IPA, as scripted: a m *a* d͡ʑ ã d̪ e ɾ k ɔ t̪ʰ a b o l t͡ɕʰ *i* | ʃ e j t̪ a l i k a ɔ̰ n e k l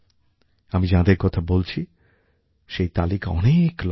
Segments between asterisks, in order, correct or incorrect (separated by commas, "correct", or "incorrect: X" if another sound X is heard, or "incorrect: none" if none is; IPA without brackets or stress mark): incorrect: i, correct